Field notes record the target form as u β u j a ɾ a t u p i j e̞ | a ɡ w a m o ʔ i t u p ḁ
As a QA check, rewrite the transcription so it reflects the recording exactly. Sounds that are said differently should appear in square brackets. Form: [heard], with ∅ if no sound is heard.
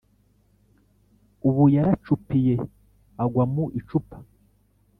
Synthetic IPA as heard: u β u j a ɾ a [t͡ʃ] u p i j e̞ | a ɡ w a m [u] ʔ i [t͡ʃ] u p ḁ